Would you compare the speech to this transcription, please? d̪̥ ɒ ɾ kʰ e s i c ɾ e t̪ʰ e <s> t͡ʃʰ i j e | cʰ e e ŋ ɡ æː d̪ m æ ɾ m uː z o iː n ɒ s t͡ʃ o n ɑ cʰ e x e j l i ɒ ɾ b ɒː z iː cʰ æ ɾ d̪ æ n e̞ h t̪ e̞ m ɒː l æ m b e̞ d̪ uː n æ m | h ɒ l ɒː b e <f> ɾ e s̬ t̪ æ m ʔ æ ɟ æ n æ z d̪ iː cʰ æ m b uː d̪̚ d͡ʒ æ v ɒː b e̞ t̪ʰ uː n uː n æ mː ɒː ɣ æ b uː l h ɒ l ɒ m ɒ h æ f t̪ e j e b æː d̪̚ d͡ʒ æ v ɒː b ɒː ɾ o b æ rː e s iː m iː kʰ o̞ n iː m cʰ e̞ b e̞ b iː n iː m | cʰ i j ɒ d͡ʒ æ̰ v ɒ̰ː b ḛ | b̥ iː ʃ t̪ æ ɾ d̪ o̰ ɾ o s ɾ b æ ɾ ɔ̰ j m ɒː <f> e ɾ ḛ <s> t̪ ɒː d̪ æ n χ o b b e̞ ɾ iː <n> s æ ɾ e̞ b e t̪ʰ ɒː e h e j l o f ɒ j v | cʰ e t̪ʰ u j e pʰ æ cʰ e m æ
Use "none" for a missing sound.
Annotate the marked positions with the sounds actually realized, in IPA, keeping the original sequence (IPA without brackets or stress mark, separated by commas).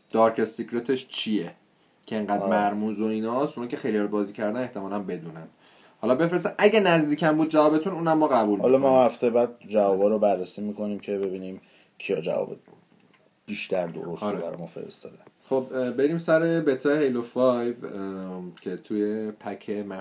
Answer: ʃ, f, f, s, m